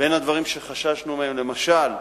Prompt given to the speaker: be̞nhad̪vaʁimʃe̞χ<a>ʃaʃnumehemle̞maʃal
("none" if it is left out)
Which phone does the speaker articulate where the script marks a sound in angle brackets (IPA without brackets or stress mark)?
a